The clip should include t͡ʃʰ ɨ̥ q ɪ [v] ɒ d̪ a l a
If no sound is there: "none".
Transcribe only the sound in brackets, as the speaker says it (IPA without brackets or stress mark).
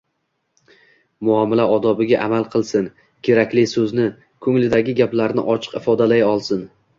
f